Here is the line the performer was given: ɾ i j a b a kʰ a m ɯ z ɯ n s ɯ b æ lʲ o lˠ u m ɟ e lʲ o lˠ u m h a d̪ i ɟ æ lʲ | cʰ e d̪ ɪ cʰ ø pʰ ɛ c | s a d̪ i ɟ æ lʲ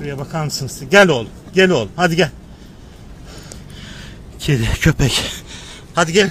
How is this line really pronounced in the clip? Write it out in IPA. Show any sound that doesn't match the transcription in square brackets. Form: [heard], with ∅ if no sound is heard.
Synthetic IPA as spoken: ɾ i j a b a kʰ a m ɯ [s] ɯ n s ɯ [ɟ] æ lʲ o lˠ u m ɟ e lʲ o lˠ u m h a d̪ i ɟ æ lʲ | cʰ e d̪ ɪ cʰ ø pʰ ɛ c | [h] a d̪ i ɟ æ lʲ